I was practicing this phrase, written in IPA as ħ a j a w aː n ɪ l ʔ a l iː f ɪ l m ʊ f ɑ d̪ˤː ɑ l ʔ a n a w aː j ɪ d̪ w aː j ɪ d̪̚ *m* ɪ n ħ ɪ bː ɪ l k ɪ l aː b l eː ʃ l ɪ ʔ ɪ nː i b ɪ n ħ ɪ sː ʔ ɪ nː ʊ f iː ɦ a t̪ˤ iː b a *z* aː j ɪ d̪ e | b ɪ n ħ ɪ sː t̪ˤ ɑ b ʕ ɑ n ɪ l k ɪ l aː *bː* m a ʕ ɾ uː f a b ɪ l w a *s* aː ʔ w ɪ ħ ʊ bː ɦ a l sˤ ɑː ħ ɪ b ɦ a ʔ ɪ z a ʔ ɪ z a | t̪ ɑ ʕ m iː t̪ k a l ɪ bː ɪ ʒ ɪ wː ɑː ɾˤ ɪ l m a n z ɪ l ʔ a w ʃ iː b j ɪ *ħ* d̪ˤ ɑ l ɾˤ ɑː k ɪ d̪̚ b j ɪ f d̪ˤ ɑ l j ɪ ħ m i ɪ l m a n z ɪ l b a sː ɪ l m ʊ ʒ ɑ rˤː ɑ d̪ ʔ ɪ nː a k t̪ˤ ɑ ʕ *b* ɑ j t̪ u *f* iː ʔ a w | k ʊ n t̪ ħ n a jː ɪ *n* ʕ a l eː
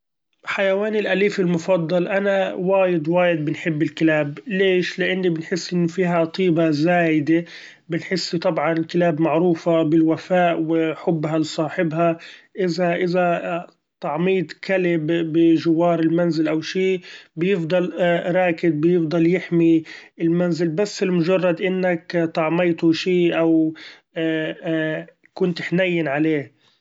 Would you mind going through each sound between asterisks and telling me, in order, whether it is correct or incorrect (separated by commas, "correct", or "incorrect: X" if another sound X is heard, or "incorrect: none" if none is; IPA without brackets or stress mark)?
incorrect: b, correct, incorrect: b, incorrect: f, incorrect: f, incorrect: m, incorrect: ʃ, correct